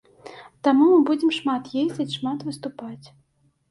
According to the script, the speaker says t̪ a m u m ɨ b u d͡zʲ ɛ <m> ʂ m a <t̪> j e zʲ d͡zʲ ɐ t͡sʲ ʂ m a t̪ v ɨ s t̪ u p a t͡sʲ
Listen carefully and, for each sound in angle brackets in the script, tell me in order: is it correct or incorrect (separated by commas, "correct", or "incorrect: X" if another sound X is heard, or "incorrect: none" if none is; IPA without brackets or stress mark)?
correct, correct